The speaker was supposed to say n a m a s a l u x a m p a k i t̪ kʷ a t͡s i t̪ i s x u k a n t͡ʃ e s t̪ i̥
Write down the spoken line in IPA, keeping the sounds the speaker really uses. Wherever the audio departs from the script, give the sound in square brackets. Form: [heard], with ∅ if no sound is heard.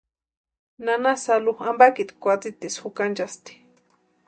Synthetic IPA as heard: n a [n] a s a l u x a m [b] a k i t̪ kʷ a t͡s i t̪ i s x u k a n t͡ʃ [a] s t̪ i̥